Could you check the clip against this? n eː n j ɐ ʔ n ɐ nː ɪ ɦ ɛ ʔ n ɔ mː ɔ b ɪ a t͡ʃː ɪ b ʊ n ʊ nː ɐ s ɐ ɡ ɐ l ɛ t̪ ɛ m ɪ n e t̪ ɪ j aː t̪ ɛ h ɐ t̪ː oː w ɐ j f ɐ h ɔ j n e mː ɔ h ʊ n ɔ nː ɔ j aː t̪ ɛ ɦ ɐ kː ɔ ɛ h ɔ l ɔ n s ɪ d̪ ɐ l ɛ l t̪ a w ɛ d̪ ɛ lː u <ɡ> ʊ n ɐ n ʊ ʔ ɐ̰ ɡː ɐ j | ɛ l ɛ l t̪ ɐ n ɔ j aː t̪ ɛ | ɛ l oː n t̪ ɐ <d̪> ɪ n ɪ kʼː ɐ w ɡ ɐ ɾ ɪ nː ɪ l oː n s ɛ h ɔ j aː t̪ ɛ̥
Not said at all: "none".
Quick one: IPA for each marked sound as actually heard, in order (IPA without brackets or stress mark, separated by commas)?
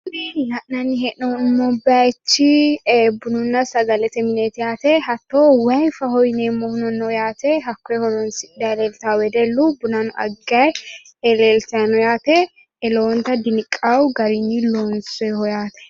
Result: b, d̪